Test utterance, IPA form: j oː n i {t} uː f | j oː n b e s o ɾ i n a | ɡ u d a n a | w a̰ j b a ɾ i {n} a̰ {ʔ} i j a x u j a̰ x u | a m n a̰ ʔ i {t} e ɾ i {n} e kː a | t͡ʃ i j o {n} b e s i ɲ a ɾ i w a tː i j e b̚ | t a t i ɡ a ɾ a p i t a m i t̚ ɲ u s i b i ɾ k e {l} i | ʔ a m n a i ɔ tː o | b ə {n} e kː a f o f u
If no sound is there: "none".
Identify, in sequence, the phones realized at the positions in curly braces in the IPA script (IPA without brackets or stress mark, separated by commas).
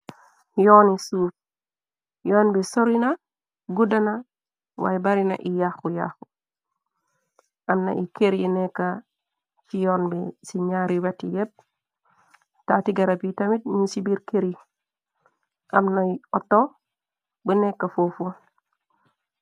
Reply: s, n, ʔ, k, n, n, ɾ, n